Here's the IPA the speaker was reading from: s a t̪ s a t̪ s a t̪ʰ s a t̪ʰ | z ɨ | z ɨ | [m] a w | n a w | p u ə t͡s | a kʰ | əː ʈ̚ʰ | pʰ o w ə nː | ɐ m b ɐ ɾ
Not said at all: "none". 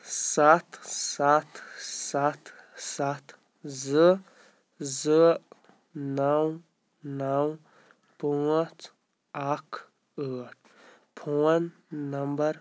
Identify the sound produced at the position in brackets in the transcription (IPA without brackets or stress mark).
n